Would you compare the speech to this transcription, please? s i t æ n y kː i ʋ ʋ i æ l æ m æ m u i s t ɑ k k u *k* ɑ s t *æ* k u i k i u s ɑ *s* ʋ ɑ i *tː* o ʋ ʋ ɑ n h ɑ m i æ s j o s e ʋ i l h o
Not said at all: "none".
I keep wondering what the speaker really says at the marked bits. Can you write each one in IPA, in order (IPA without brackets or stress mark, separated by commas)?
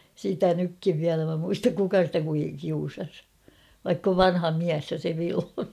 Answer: k, æ, s, kː